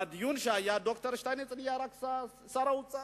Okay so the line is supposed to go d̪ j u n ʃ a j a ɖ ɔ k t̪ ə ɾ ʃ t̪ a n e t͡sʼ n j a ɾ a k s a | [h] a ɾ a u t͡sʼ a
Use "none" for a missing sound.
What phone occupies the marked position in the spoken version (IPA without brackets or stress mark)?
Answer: s